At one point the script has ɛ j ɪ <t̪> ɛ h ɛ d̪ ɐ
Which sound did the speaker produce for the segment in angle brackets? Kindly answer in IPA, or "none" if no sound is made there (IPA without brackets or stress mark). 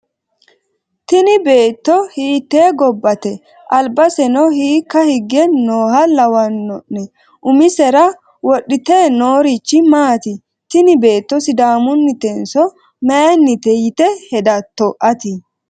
t̪